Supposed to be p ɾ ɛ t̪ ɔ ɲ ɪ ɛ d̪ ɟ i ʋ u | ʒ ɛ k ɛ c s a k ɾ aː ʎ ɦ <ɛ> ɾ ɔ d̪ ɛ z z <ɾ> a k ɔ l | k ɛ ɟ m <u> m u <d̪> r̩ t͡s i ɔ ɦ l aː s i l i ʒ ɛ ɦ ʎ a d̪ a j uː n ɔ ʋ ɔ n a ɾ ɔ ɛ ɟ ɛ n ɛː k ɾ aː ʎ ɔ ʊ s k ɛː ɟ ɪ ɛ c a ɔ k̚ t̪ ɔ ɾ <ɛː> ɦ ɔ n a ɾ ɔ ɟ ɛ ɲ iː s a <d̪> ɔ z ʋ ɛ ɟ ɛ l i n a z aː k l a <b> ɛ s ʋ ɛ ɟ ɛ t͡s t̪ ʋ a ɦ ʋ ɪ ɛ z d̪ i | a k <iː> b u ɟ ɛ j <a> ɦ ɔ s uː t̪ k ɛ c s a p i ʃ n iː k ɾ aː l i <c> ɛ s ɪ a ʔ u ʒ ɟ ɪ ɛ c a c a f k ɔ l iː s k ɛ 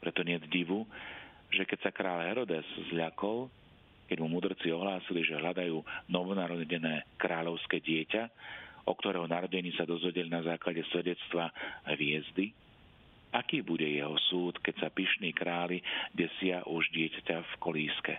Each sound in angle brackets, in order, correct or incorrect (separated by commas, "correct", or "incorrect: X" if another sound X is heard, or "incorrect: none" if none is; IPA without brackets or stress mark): correct, incorrect: ʎ, correct, correct, correct, correct, incorrect: ɟ, correct, incorrect: ɛ, incorrect: ɟ